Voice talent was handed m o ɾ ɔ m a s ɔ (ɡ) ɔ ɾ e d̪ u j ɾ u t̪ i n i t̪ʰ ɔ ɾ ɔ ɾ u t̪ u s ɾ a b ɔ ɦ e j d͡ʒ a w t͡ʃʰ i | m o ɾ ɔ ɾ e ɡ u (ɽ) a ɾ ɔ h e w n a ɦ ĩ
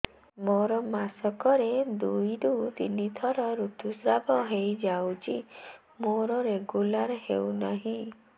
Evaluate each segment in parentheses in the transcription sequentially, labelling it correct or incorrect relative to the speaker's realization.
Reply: incorrect, incorrect

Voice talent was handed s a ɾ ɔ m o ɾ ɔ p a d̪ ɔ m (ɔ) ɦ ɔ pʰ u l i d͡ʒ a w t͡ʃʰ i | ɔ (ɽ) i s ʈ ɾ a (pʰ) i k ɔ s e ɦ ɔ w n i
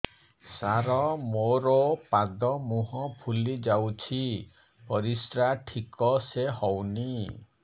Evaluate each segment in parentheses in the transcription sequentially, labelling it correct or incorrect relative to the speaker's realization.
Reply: incorrect, incorrect, incorrect

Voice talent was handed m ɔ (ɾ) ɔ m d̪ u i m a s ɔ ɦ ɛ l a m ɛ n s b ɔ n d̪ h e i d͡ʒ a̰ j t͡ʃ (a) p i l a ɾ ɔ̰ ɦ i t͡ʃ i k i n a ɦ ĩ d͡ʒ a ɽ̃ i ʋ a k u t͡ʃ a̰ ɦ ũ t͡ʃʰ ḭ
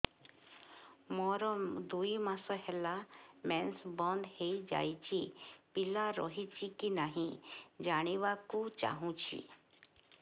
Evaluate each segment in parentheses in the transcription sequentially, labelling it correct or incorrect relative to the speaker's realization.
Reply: correct, incorrect

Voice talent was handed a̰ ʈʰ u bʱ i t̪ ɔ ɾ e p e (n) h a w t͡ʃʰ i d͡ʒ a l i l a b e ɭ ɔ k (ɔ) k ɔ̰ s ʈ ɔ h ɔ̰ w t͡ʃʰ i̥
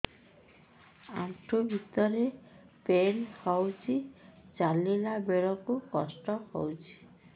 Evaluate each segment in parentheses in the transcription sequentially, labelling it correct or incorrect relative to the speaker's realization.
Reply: correct, incorrect

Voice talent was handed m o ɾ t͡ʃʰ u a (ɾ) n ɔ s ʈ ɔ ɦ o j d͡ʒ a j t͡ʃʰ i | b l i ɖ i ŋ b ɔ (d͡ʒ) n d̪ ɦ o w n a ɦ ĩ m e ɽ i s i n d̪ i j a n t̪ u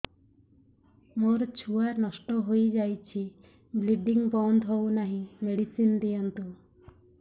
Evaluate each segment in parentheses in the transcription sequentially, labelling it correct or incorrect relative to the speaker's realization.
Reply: correct, incorrect

